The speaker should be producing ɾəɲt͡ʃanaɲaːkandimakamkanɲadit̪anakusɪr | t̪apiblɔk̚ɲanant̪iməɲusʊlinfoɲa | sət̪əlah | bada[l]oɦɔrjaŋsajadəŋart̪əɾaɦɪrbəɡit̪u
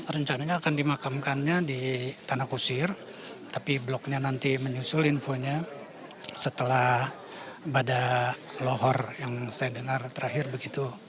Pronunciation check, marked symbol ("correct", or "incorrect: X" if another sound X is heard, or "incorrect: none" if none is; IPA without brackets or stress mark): correct